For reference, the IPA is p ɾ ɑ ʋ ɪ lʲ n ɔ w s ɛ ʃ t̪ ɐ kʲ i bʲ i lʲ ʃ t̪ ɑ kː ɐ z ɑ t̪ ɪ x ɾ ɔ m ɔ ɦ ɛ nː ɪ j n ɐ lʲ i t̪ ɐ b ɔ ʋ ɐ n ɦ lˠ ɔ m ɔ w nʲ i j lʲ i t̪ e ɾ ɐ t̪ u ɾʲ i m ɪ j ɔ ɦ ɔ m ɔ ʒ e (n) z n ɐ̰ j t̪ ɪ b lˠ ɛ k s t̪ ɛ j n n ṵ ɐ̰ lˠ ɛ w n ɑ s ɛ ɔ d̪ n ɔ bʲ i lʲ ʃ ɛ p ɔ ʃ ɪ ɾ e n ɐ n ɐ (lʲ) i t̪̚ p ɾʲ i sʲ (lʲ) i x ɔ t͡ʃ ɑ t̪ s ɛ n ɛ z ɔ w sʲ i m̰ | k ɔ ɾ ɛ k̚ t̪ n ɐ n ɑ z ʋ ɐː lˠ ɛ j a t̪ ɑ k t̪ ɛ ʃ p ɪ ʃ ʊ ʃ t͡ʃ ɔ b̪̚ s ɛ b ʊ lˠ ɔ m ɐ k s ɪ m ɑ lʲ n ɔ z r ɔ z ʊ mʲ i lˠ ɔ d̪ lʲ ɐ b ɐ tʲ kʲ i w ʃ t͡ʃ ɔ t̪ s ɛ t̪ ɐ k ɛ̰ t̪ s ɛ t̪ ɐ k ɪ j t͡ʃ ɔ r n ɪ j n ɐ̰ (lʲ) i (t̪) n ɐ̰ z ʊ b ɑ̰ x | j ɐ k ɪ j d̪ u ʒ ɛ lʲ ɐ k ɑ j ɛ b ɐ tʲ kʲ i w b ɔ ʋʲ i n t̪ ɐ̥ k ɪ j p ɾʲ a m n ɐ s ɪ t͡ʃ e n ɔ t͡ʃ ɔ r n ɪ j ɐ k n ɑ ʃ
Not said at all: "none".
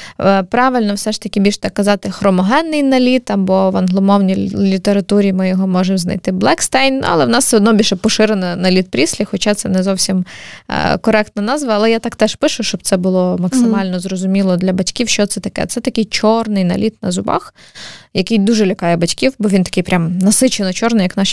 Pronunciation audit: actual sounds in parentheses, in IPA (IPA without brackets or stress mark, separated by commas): m, lʲ, lʲ, lʲ, t̪